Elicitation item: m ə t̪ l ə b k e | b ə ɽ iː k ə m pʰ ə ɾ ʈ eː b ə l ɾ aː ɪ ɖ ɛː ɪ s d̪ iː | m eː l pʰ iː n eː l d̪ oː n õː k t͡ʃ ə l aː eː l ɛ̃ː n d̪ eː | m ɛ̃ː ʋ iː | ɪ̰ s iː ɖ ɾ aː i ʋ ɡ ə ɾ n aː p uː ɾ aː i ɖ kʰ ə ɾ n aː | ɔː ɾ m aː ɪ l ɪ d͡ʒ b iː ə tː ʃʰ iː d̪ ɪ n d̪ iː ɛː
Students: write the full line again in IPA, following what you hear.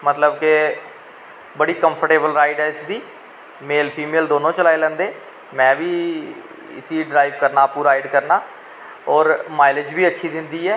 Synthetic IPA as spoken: m ə t̪ l ə b k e | b ə ɽ iː k ə m pʰ ə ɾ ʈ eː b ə l ɾ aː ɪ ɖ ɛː ɪ s d̪ iː | m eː l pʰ iː m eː l d̪ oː n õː t͡ʃ ə l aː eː l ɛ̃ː n d̪ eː | m ɛ̃ː ʋ iː | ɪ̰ s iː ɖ ɾ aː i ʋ k ə ɾ n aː p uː ɾ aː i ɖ k ə ɾ n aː | ɔː ɾ m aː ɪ l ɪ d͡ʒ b iː ə tː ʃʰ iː d̪ ɪ n d̪ iː ɛː